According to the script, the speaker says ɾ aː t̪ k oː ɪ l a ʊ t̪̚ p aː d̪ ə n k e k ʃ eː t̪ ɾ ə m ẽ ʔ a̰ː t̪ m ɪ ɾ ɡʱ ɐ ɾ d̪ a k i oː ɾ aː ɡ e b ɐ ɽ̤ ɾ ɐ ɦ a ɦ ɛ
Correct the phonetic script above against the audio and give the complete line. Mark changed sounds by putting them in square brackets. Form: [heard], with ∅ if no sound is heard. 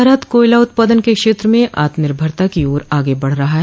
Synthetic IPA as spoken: ɾ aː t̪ k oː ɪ l a ʊ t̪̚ p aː d̪ ə n k e k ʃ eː t̪ ɾ ə m ẽ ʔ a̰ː t̪ m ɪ ɾ [bʱ] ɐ ɾ [t̪] a k i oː ɾ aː ɡ e b ɐ ɽ̤ ɾ ɐ ɦ a ɦ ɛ